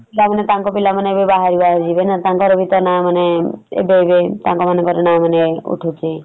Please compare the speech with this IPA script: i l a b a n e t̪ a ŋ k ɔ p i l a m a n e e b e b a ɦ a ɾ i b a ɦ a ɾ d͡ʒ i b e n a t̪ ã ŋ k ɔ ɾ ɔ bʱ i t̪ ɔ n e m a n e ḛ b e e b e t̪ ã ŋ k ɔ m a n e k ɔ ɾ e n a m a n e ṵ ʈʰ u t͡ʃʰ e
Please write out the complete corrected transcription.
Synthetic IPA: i l a m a n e t̪ a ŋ k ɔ p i l a m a n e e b e b a ɦ a ɾ i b a ɦ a ɾ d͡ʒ i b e n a t̪ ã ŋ k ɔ ɾ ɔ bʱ i t̪ ɔ n a m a n e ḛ b e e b e t̪ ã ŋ k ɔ m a n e k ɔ ɾ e n a m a n e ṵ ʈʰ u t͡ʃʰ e